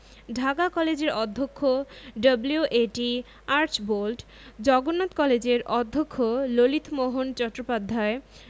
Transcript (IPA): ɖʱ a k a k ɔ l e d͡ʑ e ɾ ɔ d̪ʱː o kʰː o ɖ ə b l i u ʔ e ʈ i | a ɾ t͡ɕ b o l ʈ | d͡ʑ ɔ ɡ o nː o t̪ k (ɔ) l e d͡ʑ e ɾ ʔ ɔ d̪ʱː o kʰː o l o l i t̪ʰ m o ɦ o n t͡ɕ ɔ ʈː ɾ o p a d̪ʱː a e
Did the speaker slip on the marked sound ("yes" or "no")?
no